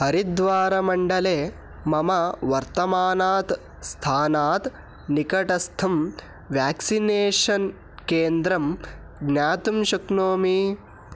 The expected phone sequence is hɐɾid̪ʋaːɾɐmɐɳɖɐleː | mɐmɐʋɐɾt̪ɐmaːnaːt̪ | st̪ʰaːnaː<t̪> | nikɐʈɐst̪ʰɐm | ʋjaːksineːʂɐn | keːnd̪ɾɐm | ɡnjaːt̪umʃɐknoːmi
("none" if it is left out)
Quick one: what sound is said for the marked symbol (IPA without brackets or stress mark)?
t̪